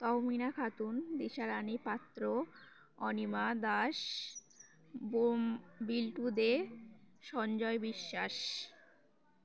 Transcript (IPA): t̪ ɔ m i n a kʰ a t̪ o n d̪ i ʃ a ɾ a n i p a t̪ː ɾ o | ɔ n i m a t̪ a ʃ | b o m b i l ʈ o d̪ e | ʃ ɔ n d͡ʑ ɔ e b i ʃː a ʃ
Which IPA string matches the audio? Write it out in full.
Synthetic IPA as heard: t̪ ɔ m i n a kʰ a t̪ u n d̪ i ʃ a ɾ a n i p a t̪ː ɾ o | ɔ n i m a d̪ a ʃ | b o m b i l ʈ u d̪ e | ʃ ɔ n d͡ʑ ɔ e b i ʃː a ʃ